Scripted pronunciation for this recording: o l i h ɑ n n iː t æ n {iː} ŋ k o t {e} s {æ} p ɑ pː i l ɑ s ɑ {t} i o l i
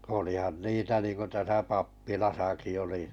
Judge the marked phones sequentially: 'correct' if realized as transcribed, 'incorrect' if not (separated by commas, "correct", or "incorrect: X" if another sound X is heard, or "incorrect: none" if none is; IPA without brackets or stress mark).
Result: correct, incorrect: æ, correct, incorrect: k